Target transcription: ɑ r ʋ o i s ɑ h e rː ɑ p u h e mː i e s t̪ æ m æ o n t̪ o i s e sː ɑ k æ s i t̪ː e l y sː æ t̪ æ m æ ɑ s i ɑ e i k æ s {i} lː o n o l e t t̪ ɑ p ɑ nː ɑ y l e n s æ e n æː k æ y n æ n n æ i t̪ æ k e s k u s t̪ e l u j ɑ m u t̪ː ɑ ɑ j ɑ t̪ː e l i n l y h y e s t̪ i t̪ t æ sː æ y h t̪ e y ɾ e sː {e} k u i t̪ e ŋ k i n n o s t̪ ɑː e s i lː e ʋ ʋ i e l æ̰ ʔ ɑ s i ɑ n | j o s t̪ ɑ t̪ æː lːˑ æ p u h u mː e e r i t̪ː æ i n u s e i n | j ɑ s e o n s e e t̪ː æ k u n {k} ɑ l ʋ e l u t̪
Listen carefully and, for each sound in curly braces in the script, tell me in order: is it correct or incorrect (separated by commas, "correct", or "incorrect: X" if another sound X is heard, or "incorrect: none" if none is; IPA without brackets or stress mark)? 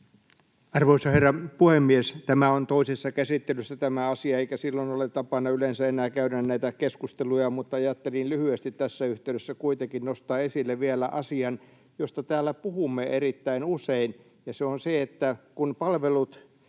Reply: correct, incorrect: æ, incorrect: p